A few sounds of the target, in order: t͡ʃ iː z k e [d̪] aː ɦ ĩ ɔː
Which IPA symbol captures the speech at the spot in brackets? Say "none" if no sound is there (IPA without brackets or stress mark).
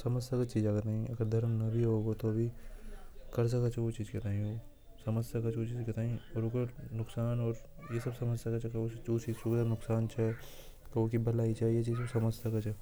t̪